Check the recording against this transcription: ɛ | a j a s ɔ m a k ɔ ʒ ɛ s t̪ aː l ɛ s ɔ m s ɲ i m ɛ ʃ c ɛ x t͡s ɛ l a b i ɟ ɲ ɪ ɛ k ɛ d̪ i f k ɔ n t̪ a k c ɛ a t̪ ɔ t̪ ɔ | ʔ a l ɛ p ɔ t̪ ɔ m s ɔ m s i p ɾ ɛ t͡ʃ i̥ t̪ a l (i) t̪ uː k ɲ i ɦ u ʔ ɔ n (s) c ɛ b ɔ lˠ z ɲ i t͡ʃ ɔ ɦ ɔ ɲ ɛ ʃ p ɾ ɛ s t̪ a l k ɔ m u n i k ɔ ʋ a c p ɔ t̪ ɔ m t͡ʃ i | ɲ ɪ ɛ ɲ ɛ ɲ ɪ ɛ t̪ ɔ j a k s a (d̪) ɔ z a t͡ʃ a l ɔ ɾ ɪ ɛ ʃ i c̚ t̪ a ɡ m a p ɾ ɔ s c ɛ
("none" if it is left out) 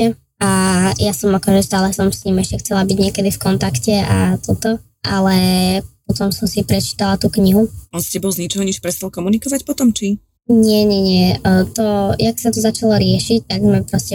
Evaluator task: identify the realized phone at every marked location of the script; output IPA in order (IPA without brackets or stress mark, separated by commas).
a, s, t̪